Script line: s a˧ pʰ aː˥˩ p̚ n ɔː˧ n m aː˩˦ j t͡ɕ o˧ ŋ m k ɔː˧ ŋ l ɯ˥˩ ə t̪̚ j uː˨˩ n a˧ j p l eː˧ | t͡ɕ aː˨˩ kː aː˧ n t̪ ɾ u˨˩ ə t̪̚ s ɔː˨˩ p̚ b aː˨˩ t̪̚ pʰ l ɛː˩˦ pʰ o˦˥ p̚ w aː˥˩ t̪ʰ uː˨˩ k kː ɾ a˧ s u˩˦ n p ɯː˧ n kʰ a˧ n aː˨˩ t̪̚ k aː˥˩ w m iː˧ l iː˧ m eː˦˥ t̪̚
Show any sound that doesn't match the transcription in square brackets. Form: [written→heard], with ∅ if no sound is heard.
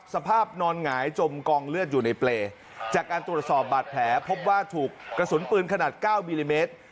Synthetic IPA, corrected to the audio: s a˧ pʰ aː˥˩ p̚ n ɔː˧ n [m→ŋ] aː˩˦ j t͡ɕ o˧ [ŋ→∅] m k ɔː˧ ŋ l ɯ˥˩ ə t̪̚ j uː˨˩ n a˧ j p l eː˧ | t͡ɕ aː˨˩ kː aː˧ n t̪ ɾ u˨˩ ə t̪̚ s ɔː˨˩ p̚ b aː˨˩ t̪̚ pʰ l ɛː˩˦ pʰ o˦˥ p̚ w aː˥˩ t̪ʰ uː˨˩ k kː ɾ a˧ s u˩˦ n p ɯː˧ n kʰ a˧ n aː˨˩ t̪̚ k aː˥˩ w m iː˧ l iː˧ m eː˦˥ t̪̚